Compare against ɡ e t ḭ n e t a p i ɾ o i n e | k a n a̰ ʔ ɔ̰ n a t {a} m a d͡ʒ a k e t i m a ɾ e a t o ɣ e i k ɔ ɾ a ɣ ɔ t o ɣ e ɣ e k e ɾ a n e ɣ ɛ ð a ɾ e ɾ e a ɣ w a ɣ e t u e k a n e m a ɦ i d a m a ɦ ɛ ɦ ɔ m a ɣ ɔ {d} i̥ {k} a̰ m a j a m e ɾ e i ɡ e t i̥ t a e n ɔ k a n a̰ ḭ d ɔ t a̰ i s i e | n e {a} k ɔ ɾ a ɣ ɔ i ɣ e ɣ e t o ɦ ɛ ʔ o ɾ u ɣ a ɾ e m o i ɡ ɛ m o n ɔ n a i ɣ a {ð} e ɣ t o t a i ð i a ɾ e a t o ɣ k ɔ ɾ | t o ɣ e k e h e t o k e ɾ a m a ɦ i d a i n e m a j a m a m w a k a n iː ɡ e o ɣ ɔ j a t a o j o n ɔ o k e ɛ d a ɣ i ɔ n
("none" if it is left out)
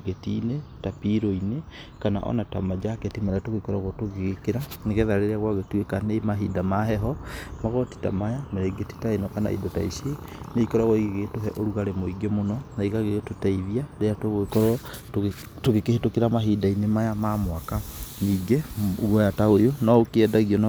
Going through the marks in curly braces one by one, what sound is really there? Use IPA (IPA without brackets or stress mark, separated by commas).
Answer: a, t, t, i, ɣ